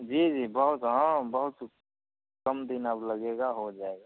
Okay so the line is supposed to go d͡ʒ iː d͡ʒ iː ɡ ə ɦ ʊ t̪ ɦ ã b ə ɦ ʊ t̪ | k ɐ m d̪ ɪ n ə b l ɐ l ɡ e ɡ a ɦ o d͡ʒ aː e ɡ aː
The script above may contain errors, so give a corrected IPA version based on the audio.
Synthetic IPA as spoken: d͡ʒ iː d͡ʒ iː b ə ɦ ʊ t̪ ɦ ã b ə ɦ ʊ t̪ | k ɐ m d̪ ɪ n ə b l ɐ ɡ e ɡ a ɦ o d͡ʒ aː e ɡ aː